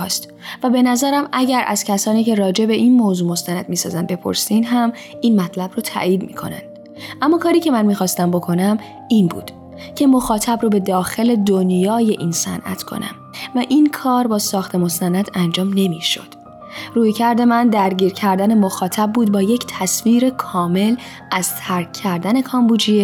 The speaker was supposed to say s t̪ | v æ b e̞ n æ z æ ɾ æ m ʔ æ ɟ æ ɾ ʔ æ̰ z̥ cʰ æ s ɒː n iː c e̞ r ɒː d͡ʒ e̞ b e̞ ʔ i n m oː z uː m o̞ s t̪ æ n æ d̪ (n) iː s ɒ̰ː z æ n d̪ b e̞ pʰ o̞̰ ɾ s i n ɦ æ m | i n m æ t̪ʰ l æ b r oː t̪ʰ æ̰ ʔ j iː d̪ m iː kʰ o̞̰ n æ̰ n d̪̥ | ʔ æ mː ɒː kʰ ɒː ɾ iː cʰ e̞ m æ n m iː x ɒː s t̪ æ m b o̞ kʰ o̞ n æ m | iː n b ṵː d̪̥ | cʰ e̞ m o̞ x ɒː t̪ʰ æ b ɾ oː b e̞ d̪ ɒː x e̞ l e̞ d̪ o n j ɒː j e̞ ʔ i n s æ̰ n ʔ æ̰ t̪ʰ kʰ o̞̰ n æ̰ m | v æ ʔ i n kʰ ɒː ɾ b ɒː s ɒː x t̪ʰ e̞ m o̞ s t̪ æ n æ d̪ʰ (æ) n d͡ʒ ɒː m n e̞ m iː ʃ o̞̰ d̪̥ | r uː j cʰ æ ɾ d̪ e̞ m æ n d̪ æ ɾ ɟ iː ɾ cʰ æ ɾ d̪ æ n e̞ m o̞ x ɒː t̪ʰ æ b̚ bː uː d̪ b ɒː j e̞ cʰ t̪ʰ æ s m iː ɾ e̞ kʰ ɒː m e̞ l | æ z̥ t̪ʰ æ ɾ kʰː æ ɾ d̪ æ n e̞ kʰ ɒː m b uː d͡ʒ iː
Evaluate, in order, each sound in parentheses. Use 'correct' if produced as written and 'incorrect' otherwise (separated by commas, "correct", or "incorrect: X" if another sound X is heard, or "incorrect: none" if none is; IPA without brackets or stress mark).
incorrect: m, correct